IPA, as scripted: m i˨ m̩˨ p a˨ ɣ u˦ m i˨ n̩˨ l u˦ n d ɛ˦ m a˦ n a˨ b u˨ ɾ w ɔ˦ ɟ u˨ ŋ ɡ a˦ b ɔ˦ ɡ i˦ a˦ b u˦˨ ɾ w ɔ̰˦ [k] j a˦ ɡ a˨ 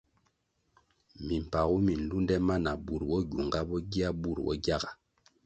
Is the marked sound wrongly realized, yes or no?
yes